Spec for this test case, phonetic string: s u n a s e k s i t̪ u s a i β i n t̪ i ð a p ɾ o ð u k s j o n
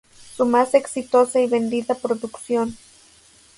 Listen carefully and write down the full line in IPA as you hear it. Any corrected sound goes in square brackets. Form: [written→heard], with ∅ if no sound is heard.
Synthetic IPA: s u [n→m] a s e k s i t̪ [u→o] s a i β [i→e] n [t̪→d̪] i ð a p ɾ o ð u k s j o n

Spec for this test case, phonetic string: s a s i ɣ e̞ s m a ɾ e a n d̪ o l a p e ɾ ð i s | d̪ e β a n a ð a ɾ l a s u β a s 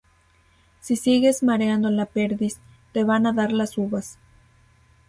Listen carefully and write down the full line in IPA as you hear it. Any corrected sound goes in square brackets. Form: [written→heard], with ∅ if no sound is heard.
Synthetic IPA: s [a→i] s i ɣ e̞ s m a ɾ e a n d̪ o l a p e ɾ ð i s | [d̪→t̪] e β a n a ð a ɾ l a s u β a s

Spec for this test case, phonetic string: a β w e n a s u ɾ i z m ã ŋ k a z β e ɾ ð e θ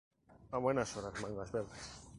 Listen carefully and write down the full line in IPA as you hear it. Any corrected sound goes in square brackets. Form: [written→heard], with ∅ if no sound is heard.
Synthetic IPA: a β w e n a s [u→o] ɾ [i→a] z m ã ŋ [k→ɡ] a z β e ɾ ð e [θ→s]

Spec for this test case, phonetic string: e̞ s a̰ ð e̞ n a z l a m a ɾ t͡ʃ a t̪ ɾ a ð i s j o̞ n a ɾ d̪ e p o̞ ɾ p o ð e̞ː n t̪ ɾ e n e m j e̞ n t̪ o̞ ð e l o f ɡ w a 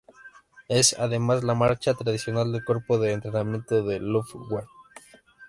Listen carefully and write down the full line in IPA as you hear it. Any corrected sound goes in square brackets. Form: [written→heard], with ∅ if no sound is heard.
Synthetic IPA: e̞ s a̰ ð e̞ [n→m] a z l a m a ɾ t͡ʃ a t̪ ɾ a ð i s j o̞ n a [ɾ→l] d̪ e [p→k] o̞ ɾ p o ð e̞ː n t̪ ɾ e n [e→a] m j e̞ n t̪ o̞ ð e l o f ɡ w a

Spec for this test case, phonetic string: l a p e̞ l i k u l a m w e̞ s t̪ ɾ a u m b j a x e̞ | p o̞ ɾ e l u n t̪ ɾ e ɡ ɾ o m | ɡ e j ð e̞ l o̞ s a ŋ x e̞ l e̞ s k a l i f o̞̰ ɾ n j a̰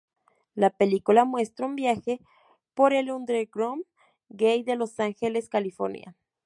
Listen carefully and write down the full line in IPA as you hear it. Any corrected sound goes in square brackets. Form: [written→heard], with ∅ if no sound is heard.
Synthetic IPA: l a p e̞ l i k u l a m w e̞ s t̪ ɾ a u m b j a x e̞ | p o̞ ɾ e l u n [t̪→d̪] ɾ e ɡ ɾ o m | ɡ e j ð e̞ l o̞ s a ŋ x e̞ l e̞ s k a l i f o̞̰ ɾ n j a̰

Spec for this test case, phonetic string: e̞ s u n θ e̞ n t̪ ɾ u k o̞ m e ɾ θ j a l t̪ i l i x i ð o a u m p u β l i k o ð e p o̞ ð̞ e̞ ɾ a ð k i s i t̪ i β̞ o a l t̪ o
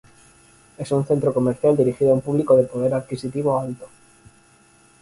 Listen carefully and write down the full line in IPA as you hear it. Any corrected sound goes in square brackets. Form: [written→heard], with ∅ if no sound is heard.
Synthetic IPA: e̞ s u n θ e̞ n t̪ ɾ [u→o] k o̞ m e ɾ θ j a l [t̪→d̪] i [l→ɾ] i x i ð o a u m p u β l i k o ð e p o̞ ð̞ e̞ ɾ a ð k i s i t̪ i β̞ o a l t̪ o

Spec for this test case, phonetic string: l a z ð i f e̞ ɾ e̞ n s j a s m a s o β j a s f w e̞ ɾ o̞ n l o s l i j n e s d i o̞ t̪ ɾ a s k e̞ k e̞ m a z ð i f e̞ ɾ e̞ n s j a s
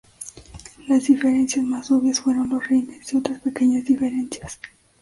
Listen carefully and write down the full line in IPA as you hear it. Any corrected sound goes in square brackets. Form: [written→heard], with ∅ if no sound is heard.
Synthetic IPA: l a z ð i f e̞ ɾ e̞ n s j a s m a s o β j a s f w e̞ ɾ o̞ n l o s [l→r] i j n e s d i o̞ t̪ ɾ a s [k→p] e̞ k e̞ [m→ɲ] a z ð i f e̞ ɾ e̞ n s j a s

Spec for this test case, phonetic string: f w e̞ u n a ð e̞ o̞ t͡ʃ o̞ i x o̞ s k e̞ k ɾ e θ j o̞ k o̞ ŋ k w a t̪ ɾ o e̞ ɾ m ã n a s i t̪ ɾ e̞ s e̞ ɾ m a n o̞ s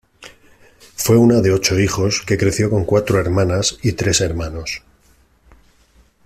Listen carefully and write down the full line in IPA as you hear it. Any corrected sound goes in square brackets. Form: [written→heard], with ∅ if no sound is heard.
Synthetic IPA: f w e̞ u n a ð e̞ o̞ t͡ʃ o̞ i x o̞ s k e̞ k ɾ e θ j o̞ k o̞ ŋ k w a t̪ ɾ o e̞ ɾ m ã n a s i t̪ ɾ e̞ s e̞ ɾ m a n o̞ s

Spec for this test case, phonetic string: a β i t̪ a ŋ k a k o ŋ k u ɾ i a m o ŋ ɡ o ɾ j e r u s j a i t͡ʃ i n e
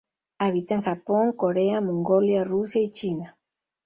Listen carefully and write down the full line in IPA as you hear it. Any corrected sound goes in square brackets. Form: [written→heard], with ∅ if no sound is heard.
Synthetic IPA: a β i t̪ a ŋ [k→x] a [k→p] o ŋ k [u→o] ɾ [i→e] a m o ŋ ɡ o [ɾ→l] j [e→a] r u s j a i t͡ʃ i n [e→a]

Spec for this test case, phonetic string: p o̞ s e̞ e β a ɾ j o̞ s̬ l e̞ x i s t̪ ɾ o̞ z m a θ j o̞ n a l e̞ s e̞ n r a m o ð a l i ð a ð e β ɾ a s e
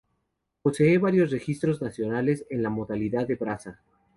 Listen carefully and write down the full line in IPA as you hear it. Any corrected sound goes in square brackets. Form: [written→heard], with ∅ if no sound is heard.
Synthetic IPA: p o̞ s e̞ e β a ɾ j o̞ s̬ [l→r] e̞ x i s t̪ ɾ o̞ z [m→n] a [θ→s] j o̞ n a l e̞ s e̞ n [r→l] a m o ð a l i ð a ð e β ɾ a s [e→a]

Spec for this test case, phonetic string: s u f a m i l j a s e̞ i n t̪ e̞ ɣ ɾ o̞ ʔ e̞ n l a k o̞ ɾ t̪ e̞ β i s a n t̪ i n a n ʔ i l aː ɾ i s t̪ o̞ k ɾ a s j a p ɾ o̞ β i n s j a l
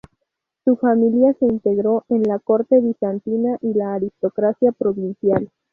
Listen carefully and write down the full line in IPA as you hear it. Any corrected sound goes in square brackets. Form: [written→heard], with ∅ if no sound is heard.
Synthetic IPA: s u f a m i l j a s e̞ i n t̪ e̞ ɣ ɾ o̞ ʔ e̞ n l a k o̞ ɾ t̪ e̞ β i s a n t̪ i n a [n→∅] ʔ i l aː ɾ i s t̪ o̞ k ɾ a s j a p ɾ o̞ β i n s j a l

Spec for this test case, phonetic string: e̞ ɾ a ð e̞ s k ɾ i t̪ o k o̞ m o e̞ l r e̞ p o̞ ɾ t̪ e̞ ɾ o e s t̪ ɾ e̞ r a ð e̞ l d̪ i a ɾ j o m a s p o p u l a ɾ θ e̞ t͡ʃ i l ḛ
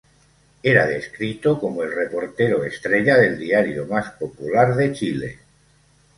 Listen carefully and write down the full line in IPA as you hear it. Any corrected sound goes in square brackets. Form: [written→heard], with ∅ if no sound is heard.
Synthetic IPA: e̞ ɾ a ð e̞ s k ɾ i t̪ o k o̞ m o e̞ l r e̞ p o̞ ɾ t̪ e̞ ɾ o e s t̪ ɾ e̞ [r→ʎ] a ð e̞ l d̪ i a ɾ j o m a s p o p u l a ɾ [θ→ð] e̞ t͡ʃ i l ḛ

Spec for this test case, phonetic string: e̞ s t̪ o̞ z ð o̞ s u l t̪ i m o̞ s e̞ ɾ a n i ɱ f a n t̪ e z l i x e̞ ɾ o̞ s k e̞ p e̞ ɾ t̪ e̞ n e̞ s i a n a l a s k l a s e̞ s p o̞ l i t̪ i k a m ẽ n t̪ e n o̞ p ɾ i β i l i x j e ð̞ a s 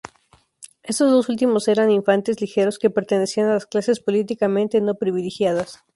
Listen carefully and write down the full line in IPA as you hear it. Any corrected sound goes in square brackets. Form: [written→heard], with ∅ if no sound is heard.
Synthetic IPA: e̞ s t̪ o̞ z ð o̞ s u l t̪ i m o̞ s e̞ ɾ a n i ɱ f a n t̪ e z l i x e̞ ɾ o̞ s k e̞ p e̞ ɾ t̪ e̞ n e̞ s i a n a l a s k l a s e̞ s p o̞ l i t̪ i k a m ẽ n t̪ e n o̞ p ɾ i β i l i x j [e→a] ð̞ a s

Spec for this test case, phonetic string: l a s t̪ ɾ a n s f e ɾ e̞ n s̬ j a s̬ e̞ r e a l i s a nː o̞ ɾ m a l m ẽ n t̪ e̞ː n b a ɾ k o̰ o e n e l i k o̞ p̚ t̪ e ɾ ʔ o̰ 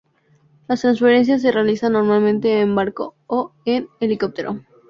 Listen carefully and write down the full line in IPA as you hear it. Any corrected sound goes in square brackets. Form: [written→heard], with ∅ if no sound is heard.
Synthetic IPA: l a s t̪ ɾ a n s f e ɾ e̞ n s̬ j a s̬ e̞ r e a l i s a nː o̞ ɾ m a l m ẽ n t̪ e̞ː [n→m] b a ɾ k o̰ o e n e l i k o̞ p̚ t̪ e ɾ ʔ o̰

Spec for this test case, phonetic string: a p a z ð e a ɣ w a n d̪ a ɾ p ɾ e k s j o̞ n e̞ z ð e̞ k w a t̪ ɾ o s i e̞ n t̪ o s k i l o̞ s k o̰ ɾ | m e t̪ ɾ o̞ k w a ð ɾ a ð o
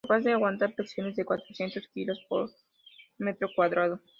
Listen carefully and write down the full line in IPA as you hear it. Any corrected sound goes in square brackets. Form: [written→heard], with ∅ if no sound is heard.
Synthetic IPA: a p a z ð e a ɣ w a n [d̪→t̪] a ɾ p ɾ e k s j o̞ n e̞ z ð e̞ k w a t̪ ɾ o s [i→j] e̞ n t̪ o s k i l o̞ s [k→p] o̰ ɾ | m e t̪ ɾ o̞ k w a ð ɾ a ð o

